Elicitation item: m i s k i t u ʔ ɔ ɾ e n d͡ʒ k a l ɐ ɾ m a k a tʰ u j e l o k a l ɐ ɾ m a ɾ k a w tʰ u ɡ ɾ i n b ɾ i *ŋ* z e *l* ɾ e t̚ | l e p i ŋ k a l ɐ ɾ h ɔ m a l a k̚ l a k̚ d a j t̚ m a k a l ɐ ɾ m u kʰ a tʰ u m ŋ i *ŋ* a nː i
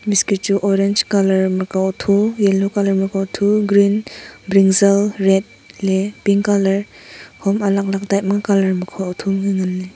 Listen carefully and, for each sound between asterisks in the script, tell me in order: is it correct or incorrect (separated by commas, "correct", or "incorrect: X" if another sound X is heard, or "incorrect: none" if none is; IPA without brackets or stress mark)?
correct, correct, correct